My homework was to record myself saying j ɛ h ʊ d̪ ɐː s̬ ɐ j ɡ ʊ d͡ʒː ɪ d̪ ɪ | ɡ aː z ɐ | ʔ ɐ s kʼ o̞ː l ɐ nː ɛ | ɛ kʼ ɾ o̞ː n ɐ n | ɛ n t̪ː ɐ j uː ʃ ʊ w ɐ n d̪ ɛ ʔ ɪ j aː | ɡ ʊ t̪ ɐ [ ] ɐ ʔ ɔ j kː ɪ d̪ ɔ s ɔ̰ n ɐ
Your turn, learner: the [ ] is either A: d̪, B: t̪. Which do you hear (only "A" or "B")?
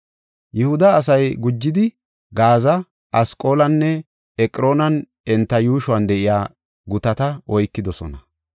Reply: B